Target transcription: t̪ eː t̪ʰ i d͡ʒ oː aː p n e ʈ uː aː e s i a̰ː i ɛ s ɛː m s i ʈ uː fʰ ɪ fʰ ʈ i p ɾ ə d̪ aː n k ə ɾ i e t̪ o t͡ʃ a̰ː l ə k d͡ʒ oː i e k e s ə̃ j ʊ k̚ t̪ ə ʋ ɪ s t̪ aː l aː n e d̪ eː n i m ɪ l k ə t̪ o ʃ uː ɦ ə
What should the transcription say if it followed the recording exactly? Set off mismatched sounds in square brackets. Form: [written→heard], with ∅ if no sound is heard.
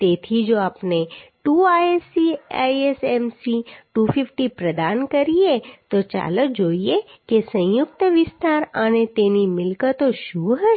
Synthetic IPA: t̪ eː t̪ʰ i d͡ʒ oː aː p n e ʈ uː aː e s i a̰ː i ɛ s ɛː m s i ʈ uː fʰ ɪ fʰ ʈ i p ɾ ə d̪ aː n k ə ɾ i e t̪ o t͡ʃ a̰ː l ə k d͡ʒ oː i e k e s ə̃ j ʊ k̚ t̪ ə ʋ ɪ s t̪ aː [l→ɾ] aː n e [d̪→t̪] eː n i m ɪ l k ə t̪ o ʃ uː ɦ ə